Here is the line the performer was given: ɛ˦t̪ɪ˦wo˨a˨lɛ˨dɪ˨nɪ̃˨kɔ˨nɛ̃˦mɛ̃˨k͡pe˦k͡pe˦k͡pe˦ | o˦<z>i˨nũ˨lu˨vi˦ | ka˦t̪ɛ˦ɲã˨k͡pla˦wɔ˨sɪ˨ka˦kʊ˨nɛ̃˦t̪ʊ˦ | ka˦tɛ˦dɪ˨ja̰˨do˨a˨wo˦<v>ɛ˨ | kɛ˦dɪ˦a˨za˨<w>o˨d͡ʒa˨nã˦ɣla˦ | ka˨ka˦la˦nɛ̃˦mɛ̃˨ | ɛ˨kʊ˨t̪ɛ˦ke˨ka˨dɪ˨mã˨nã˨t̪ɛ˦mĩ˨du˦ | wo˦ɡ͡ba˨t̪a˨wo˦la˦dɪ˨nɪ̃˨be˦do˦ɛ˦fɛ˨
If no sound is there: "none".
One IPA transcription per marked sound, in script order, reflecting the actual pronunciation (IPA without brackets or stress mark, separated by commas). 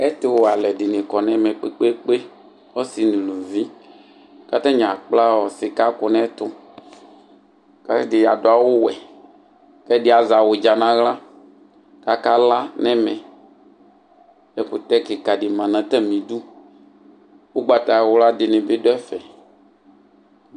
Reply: s, w, w